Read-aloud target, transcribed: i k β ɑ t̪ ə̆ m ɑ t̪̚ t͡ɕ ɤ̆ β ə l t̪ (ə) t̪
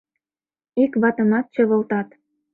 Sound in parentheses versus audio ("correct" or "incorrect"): incorrect